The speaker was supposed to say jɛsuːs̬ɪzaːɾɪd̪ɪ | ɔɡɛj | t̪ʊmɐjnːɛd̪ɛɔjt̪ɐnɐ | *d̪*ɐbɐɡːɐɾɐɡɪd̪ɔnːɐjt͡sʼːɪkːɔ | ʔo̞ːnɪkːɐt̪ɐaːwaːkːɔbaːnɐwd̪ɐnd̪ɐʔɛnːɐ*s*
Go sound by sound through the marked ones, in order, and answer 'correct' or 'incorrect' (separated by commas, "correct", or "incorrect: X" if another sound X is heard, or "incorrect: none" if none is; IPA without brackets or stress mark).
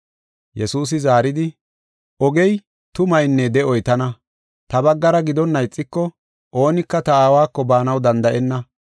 incorrect: t̪, incorrect: none